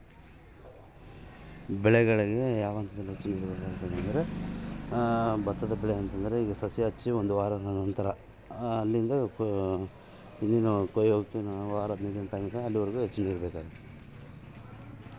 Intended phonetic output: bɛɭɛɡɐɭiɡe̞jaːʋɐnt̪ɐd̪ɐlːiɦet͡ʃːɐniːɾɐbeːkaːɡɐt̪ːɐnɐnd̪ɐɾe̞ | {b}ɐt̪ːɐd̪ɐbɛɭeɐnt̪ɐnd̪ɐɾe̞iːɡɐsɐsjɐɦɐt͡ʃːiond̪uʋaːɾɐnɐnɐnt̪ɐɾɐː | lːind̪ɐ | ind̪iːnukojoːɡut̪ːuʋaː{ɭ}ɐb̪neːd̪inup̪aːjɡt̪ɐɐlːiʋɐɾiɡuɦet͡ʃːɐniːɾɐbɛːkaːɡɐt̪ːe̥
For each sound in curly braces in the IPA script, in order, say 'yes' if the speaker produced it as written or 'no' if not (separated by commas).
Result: yes, no